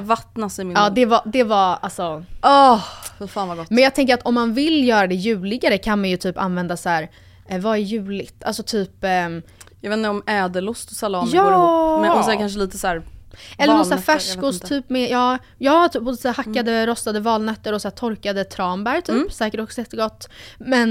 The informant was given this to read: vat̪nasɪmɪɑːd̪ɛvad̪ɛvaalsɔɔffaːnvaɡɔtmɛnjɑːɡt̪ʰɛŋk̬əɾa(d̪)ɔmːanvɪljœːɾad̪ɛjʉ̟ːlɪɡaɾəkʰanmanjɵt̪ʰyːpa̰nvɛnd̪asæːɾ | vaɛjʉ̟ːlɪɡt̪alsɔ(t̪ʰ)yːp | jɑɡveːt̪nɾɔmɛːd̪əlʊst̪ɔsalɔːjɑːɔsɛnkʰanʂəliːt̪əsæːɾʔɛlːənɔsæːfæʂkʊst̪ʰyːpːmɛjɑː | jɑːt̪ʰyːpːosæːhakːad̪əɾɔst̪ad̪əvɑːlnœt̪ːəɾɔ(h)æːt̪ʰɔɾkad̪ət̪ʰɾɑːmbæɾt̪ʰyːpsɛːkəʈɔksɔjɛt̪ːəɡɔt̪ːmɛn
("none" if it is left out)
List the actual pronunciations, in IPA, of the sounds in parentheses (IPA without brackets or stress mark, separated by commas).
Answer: t̪, t̪ʰ, s